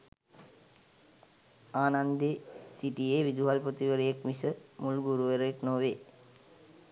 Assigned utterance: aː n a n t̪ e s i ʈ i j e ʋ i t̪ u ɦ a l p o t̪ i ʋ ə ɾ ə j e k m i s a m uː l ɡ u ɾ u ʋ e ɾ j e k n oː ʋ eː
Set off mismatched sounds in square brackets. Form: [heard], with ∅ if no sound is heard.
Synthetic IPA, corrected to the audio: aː n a n [d̪] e s i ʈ i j e ʋ i [d̪] u ɦ a l p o t̪ i ʋ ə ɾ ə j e k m i s [ə] m [u] l ɡ u ɾ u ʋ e ɾ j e k n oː ʋ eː